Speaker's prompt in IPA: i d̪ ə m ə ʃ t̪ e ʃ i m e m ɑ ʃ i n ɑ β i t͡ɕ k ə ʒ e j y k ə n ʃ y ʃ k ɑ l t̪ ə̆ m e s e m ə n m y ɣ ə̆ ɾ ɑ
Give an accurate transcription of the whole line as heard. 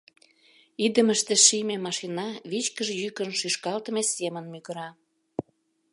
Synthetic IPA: i d̪ ə m ə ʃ t̪ e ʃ i m e m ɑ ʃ i n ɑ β i t͡ɕ k ə ʒ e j y k ə n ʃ y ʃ k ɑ l t̪ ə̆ m e s e m ə n m y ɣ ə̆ ɾ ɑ